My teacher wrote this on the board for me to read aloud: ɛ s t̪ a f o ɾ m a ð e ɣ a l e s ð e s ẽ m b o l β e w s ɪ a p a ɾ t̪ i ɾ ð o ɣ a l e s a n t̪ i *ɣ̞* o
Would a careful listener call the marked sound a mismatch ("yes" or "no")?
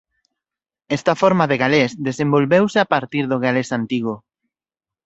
no